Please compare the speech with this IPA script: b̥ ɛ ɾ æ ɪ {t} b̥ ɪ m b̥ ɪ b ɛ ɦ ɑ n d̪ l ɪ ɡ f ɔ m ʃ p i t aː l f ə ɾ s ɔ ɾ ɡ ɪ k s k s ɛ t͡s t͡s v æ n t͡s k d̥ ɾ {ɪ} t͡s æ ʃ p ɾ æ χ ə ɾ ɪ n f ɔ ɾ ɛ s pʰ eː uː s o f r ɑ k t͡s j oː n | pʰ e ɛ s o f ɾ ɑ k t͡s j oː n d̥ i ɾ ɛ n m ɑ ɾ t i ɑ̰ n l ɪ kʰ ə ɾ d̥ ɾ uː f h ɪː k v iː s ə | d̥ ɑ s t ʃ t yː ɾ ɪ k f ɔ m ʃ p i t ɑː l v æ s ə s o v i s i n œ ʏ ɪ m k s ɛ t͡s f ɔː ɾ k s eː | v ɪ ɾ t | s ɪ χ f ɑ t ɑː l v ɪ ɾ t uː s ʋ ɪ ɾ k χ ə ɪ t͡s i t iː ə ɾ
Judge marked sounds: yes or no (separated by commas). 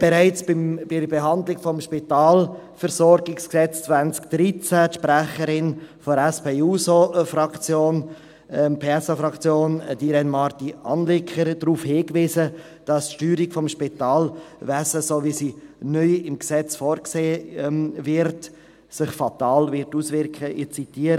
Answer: no, no